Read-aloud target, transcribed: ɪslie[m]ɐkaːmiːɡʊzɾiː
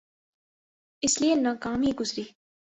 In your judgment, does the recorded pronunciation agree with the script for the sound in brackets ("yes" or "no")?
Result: no